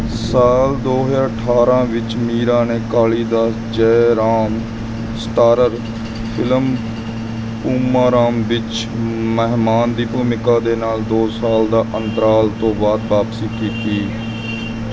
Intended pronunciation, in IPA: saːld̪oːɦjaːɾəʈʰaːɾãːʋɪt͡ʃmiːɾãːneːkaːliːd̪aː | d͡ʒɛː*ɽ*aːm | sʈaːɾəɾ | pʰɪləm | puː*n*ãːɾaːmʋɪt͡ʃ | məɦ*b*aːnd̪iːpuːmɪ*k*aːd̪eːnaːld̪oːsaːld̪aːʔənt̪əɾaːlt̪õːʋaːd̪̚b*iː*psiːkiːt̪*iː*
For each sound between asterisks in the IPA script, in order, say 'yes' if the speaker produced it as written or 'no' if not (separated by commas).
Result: no, no, no, yes, no, yes